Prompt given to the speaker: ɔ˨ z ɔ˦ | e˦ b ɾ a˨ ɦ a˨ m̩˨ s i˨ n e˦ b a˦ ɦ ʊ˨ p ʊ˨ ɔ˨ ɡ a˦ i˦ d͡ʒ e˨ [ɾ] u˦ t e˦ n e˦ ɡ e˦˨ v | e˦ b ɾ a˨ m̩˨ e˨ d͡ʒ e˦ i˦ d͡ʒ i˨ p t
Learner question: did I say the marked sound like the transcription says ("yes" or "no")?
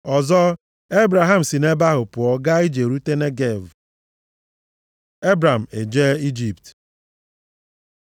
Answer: yes